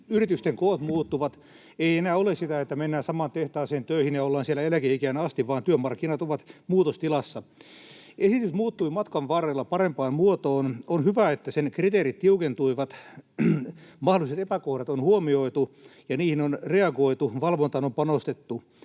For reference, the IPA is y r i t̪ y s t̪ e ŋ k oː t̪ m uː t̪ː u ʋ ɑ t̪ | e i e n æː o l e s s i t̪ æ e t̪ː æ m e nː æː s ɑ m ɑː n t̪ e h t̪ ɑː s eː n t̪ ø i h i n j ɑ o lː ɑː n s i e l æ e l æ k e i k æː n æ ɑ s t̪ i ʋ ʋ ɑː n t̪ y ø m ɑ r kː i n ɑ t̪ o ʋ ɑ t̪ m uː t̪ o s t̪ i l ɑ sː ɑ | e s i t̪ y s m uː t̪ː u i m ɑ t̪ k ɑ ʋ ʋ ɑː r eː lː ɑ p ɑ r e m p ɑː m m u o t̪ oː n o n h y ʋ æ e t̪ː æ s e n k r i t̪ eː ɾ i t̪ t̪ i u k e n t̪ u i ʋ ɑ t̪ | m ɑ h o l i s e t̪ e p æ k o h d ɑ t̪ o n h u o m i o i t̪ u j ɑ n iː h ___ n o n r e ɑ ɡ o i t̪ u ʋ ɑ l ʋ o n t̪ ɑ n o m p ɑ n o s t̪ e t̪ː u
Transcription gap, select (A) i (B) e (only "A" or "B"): A